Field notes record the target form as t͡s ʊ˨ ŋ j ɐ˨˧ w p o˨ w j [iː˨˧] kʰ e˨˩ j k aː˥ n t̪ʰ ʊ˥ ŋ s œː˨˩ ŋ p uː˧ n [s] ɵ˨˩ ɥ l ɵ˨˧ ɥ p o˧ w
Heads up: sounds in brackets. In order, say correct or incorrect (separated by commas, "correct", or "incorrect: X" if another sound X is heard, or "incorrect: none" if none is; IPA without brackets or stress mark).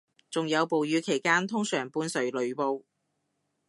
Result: incorrect: yː˨˧, correct